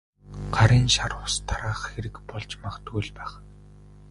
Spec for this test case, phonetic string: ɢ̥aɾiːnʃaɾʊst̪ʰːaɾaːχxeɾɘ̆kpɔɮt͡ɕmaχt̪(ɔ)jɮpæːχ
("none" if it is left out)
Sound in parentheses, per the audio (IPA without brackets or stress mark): u